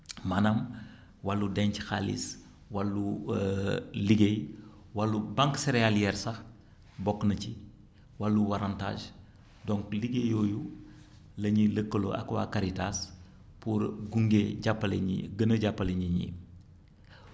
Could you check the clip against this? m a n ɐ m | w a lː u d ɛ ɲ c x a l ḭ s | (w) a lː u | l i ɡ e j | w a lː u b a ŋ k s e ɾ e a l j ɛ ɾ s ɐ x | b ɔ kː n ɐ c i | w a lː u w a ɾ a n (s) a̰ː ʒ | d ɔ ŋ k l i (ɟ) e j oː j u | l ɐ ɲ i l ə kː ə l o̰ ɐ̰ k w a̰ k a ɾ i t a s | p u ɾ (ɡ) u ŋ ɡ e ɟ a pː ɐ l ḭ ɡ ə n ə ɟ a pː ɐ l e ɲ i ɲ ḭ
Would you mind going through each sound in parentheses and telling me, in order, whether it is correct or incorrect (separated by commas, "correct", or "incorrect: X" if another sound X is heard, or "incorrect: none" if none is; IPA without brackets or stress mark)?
correct, incorrect: t, incorrect: ɡ, correct